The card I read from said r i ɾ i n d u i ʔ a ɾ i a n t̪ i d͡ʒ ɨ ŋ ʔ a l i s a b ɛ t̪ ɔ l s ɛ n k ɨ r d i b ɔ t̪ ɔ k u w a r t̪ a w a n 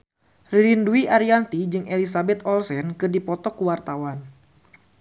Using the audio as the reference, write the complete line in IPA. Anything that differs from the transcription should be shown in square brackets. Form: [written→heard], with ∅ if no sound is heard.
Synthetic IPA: r i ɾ i n d u i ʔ a ɾ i a n t̪ i d͡ʒ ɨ ŋ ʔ [a→e] l i s a b ɛ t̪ ɔ l s ɛ n k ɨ r d i [b→p] ɔ t̪ ɔ k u w a r t̪ a w a n